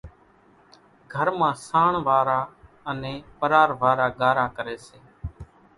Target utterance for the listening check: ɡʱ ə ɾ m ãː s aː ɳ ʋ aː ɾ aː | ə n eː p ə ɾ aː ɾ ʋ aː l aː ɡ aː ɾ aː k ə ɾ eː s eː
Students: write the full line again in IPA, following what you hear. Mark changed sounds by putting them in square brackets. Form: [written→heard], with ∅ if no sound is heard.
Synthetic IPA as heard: ɡʱ ə ɾ m ãː s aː ɳ ʋ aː ɾ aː | ə n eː p ə ɾ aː ɾ ʋ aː [l→ɾ] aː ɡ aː ɾ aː k ə ɾ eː s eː

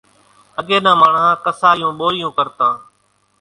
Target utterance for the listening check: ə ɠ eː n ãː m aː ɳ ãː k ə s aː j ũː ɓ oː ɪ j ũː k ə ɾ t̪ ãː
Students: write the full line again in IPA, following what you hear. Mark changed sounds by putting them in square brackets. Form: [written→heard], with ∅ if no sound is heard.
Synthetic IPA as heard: ə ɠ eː n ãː m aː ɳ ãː k ə s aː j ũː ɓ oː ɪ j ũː k ə ɾ t̪ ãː

